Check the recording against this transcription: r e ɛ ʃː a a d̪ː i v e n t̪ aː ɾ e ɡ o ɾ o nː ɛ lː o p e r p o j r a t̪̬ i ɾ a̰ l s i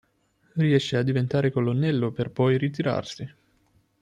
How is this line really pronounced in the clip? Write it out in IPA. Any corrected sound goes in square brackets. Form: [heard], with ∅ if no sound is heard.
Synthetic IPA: r [i] ɛ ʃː [e] a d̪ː i v e n t̪ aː ɾ e [k] o [l] o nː ɛ lː o p e r p [ɔ] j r [i] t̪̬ i ɾ a̰ [r] s i